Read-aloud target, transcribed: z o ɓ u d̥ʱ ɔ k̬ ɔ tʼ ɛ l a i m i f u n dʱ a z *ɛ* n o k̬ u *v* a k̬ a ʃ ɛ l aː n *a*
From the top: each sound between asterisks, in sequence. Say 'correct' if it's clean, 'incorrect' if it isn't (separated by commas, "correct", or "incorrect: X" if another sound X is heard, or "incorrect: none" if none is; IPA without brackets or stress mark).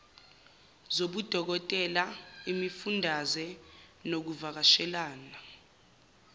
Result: correct, correct, correct